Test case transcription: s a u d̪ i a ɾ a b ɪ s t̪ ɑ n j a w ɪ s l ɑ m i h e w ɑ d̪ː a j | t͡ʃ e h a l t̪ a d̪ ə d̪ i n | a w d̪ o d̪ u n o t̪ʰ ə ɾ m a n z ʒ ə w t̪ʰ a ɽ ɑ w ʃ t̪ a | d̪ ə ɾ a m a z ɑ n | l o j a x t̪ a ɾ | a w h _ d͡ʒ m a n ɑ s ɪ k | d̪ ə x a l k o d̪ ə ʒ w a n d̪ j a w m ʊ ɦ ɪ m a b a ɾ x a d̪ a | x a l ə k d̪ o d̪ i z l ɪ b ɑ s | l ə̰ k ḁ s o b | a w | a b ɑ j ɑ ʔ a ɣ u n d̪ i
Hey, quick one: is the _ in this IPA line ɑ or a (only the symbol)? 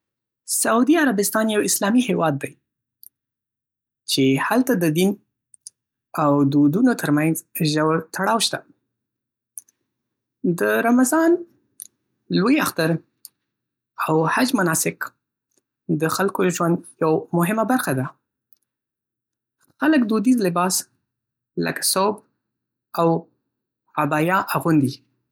a